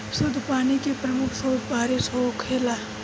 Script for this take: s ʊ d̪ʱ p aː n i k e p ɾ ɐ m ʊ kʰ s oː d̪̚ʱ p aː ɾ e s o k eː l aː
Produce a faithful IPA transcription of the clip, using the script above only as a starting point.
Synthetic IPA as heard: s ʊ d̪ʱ p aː n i k e p ɾ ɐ m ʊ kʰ s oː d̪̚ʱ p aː ɾ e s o kʰ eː l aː